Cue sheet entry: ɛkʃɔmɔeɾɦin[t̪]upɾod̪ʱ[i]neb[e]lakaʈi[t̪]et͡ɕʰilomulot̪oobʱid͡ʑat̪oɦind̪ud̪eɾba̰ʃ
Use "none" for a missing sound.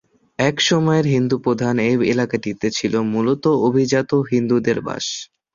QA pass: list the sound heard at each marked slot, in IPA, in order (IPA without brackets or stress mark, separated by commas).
d̪, a, e, t̪